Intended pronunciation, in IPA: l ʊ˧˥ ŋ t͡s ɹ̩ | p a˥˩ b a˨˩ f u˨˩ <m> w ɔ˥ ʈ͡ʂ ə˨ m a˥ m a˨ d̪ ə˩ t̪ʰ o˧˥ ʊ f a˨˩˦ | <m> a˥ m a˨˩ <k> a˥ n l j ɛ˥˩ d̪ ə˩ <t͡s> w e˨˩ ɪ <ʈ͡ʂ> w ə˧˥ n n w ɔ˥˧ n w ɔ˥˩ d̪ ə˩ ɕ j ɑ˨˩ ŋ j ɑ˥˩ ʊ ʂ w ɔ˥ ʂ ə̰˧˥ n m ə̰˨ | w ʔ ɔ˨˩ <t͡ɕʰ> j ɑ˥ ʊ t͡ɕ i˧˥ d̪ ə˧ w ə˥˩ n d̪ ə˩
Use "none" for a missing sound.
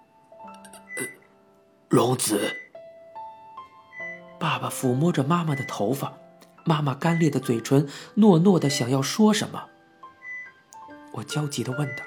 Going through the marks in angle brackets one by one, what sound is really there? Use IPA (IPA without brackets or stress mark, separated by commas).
m, m, k, t͡s, ʈ͡ʂʰ, t͡ɕ